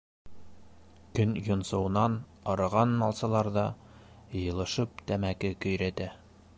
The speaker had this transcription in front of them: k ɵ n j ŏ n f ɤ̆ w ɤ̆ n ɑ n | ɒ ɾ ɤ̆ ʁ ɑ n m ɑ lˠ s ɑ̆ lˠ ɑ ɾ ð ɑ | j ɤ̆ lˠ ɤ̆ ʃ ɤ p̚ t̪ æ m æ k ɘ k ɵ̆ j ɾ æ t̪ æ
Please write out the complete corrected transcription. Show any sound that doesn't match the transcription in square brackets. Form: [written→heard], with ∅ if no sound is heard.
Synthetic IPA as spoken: k ɵ n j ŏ n [f→s] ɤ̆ w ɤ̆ n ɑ n | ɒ ɾ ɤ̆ ʁ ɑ n m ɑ lˠ s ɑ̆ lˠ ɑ ɾ ð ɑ | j ɤ̆ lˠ ɤ̆ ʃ ɤ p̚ t̪ æ m æ k ɘ k ɵ̆ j ɾ æ t̪ æ